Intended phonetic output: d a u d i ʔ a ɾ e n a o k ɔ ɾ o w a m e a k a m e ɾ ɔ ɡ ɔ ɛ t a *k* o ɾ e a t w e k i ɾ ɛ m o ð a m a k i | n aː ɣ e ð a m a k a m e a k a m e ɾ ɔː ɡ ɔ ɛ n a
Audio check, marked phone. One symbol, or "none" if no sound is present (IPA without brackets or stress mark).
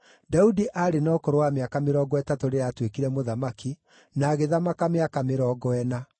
t